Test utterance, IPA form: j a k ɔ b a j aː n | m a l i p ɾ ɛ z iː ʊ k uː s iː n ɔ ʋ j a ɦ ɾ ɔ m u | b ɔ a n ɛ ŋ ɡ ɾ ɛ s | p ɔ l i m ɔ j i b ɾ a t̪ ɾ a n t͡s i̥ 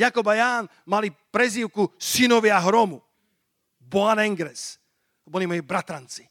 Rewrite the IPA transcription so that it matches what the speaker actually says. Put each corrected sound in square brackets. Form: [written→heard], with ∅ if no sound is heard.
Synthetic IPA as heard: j a k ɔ b a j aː n | m a l i p ɾ ɛ z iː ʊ k [uː→u] s [iː→i] n ɔ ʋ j a ɦ ɾ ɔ m u | b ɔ a n ɛ ŋ ɡ ɾ ɛ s | [p→b] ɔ l i m ɔ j i b ɾ a t̪ ɾ a n t͡s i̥